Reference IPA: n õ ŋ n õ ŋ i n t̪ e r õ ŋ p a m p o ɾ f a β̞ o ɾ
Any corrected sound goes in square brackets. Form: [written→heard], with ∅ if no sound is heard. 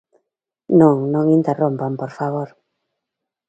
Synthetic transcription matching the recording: n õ ŋ n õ ŋ i n t̪ e r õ [ŋ→m] p a m p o ɾ f a β̞ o ɾ